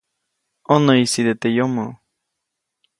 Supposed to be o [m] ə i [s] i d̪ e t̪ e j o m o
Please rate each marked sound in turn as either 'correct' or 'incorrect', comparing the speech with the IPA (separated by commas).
incorrect, correct